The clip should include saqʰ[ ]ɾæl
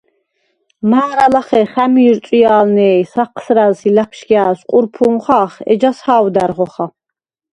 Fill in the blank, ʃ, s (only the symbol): s